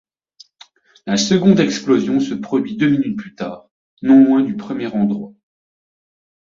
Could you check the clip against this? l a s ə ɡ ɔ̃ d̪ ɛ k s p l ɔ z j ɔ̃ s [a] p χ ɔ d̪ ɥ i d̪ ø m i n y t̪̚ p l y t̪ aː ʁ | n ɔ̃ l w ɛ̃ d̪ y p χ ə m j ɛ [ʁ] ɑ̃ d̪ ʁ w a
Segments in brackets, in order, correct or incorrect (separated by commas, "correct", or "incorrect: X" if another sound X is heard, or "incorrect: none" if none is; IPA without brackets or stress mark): incorrect: ə, correct